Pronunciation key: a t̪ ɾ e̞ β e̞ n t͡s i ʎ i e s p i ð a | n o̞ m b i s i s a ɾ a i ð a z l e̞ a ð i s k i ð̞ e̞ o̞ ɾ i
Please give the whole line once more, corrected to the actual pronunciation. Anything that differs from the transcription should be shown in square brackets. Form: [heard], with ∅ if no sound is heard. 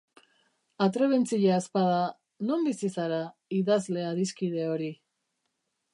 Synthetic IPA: a t̪ ɾ e̞ β e̞ n t͡s i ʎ [a] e s p [a] ð a | n o̞ m b i s i s a ɾ a i ð a z l e̞ a ð i s k i ð̞ e̞ o̞ ɾ i

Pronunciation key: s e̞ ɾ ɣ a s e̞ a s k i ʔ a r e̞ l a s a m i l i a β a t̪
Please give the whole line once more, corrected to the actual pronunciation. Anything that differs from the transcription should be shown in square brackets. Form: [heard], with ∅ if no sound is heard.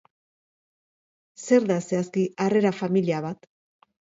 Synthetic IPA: s e̞ ɾ [ð] a s e̞ a s k i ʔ a r e̞ [ɾ] a [f] a m i l i a β a t̪

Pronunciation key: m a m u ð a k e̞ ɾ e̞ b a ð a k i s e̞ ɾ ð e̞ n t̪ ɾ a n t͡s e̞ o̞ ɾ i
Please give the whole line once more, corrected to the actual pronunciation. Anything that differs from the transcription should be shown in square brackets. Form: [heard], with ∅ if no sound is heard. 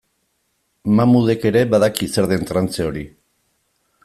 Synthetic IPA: m a m u ð [e] k e̞ ɾ e̞ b a ð a k i s e̞ ɾ ð e̞ n t̪ ɾ a n t͡s e̞ o̞ ɾ i

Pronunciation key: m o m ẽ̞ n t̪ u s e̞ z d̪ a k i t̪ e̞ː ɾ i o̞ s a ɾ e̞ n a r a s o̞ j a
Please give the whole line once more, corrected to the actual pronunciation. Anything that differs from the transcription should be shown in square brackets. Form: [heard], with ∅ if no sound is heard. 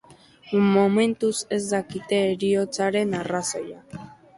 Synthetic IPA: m o m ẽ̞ n t̪ u s e̞ z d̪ a k i t̪ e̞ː ɾ i o̞ [t͡s] a ɾ e̞ n a r a s o̞ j a

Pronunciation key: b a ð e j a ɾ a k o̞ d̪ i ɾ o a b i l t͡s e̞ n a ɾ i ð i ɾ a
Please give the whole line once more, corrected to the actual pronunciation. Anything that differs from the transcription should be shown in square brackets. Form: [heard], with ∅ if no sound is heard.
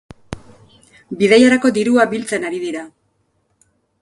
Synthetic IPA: b [i] ð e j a ɾ a k o̞ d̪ i ɾ [u] a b i l t͡s e̞ n a ɾ i ð i ɾ a

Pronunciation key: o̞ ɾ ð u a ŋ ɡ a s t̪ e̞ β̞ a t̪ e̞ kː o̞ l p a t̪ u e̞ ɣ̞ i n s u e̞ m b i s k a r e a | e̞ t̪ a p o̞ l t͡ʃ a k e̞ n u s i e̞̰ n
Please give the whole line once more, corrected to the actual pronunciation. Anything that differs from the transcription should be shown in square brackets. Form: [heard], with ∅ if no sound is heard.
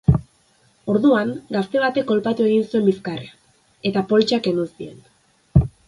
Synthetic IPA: o̞ ɾ ð u a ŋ ɡ a s t̪ e̞ β̞ a t̪ e̞ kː o̞ l p a t̪ u e̞ ɣ̞ i n s u e̞ m b i s k a r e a | e̞ t̪ a p o̞ l t͡ʃ a k e̞ n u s i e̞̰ n

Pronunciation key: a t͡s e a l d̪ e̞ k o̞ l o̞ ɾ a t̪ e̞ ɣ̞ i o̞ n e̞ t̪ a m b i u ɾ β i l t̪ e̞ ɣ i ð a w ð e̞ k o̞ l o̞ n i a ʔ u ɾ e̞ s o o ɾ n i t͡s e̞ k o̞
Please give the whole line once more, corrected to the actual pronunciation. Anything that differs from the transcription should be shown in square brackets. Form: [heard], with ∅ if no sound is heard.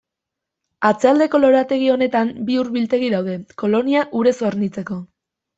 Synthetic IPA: a t͡s e a l d̪ e̞ k o̞ l o̞ ɾ a t̪ e̞ ɣ̞ i o̞ n e̞ t̪ a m b i u ɾ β i l t̪ e̞ ɣ i ð a w ð e̞ k o̞ l o̞ n i a ʔ u ɾ e̞ s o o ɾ n i t͡s e̞ k o̞

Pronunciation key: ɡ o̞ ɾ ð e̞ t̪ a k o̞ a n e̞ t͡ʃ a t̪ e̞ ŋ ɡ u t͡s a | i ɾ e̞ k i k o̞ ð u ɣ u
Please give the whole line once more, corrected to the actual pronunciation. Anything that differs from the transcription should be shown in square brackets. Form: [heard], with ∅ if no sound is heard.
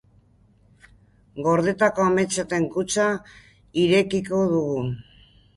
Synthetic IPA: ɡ o̞ ɾ ð e̞ t̪ a k o̞ a [m] e̞ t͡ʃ a t̪ e̞ ŋ [k] u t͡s a | i ɾ e̞ k i k o̞ ð u ɣ u

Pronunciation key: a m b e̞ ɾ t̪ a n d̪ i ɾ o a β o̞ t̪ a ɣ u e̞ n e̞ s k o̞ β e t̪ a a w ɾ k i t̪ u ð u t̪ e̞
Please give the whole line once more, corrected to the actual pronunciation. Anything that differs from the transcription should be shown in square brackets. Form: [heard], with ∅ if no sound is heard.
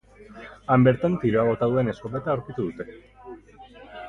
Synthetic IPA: a m b e̞ ɾ t̪ a n [t̪] i ɾ o a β o̞ t̪ a [ð] u e̞ n e̞ s k o̞ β e t̪ a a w ɾ k i t̪ u ð u t̪ e̞

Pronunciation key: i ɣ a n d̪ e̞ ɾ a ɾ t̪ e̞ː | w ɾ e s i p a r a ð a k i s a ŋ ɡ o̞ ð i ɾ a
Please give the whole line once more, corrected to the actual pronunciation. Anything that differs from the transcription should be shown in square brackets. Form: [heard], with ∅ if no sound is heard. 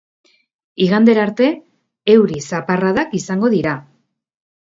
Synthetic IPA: i ɣ a n d̪ e̞ ɾ a ɾ t̪ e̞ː | w ɾ [i] s [a] p a r a ð a k i s a ŋ ɡ o̞ ð i ɾ a

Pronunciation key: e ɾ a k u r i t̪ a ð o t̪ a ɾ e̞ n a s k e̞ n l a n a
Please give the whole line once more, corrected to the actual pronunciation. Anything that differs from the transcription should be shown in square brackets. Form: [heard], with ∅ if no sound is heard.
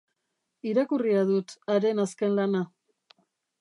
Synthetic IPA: [i] ɾ a k u r i [∅] a ð [u] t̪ a ɾ e̞ n a s k e̞ n l a n a

